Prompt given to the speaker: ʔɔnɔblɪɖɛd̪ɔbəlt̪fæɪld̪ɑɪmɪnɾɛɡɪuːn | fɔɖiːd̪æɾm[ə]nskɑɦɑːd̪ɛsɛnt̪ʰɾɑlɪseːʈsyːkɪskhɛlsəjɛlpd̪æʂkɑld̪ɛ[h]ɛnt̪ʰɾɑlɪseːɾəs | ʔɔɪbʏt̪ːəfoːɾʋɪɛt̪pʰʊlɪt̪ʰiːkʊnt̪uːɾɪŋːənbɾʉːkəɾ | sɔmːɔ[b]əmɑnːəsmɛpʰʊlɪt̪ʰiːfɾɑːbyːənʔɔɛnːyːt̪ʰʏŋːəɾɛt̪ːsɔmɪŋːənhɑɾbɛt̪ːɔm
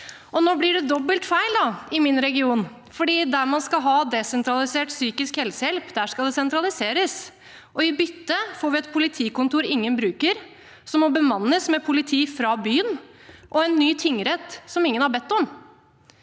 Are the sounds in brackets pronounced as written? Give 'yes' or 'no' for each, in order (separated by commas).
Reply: no, no, yes